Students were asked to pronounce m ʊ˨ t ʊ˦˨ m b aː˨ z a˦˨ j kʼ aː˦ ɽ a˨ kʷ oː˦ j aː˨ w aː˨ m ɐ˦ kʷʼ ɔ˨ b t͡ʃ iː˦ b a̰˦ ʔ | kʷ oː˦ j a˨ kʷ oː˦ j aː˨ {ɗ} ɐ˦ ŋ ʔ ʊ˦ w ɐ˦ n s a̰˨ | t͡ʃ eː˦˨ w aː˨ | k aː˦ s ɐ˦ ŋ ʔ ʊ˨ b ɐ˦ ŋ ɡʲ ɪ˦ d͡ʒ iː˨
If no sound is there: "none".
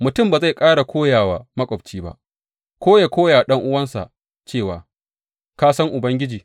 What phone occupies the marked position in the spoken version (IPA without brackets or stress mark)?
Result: ɗ